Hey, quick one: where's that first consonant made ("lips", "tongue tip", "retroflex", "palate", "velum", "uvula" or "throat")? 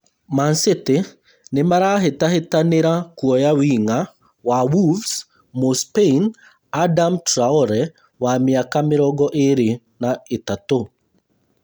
lips